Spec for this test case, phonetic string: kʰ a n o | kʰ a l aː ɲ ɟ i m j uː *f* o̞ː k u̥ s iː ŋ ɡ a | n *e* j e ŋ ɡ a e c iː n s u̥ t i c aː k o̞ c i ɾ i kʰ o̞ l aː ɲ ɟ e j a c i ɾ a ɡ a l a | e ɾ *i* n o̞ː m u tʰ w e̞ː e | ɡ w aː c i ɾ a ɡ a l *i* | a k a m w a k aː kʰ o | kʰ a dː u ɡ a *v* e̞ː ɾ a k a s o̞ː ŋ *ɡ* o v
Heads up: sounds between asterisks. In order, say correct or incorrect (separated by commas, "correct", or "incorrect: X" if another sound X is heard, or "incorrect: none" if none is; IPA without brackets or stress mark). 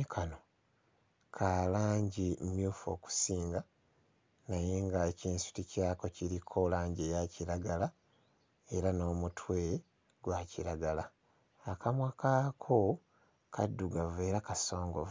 correct, incorrect: a, incorrect: a, incorrect: a, correct, correct